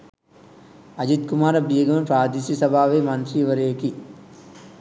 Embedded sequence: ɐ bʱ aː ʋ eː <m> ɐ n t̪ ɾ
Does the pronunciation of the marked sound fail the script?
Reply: no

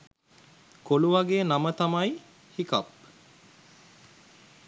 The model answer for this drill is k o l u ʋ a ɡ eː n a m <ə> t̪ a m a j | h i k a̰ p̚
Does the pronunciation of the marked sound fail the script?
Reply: no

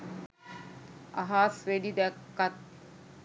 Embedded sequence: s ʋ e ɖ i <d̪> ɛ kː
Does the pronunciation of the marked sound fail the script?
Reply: no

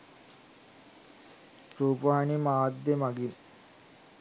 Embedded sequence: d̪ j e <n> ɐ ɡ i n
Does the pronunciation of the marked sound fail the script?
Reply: yes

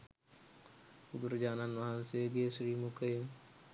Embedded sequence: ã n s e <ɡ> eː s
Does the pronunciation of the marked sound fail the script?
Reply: no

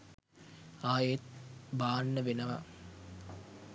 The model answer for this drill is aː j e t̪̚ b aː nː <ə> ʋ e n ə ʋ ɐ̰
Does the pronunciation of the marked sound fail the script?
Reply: no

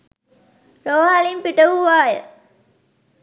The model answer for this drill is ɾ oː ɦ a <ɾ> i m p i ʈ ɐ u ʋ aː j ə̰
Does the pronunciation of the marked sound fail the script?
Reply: yes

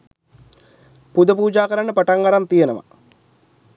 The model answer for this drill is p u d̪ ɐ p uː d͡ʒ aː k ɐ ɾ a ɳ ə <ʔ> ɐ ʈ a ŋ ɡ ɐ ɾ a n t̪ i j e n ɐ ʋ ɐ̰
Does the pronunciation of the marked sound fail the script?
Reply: yes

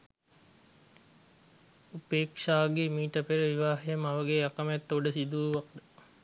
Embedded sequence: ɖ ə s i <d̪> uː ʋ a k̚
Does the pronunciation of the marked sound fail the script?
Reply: no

